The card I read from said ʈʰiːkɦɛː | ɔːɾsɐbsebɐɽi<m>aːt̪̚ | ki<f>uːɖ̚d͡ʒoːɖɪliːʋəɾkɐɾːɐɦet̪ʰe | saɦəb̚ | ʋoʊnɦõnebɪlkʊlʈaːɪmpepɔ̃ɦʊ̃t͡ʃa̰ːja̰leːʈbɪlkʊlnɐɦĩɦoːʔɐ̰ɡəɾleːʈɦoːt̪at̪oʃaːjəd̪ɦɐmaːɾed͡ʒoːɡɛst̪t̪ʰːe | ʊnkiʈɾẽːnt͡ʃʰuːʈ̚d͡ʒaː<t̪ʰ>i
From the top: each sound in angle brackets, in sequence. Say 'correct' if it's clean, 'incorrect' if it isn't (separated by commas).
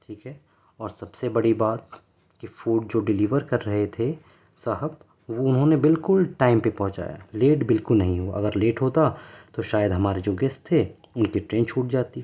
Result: incorrect, correct, incorrect